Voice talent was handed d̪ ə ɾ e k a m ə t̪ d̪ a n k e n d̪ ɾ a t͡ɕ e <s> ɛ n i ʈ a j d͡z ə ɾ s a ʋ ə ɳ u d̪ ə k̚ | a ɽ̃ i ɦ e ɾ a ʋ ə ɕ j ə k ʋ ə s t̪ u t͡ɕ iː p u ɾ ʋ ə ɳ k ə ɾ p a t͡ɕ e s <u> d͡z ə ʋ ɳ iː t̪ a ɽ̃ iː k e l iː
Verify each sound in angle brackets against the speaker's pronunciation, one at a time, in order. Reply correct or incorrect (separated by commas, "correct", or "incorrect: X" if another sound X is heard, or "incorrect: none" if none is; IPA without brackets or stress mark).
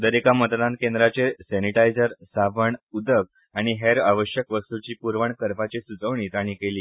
correct, correct